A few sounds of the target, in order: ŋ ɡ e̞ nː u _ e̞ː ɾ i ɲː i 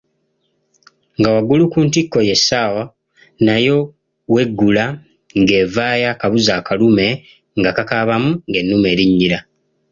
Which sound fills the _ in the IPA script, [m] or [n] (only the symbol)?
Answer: m